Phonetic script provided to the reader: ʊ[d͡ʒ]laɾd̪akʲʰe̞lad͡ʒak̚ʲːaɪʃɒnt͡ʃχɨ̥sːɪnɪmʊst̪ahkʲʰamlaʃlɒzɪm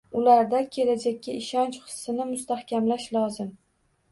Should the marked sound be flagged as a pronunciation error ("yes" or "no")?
yes